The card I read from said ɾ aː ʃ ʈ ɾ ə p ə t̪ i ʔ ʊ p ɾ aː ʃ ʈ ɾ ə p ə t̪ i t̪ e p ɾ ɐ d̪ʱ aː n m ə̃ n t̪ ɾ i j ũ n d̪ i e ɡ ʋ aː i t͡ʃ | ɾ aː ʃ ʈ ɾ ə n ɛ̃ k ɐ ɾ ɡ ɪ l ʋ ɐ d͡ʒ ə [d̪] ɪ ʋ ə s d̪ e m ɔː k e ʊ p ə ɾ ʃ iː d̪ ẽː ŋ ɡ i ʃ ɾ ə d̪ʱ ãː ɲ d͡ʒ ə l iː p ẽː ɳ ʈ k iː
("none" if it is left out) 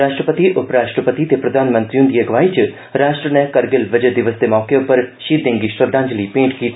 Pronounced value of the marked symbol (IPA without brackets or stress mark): d̪